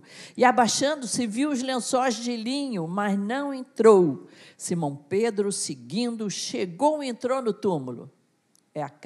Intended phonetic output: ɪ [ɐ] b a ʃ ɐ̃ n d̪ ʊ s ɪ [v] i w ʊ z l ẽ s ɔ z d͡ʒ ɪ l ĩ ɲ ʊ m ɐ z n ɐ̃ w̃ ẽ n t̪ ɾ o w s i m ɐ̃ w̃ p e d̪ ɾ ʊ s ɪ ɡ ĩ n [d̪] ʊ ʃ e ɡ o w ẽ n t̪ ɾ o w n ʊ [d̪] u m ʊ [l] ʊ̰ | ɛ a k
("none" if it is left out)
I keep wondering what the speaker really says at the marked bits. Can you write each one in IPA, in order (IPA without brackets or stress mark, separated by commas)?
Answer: a, v, d̪, t̪, l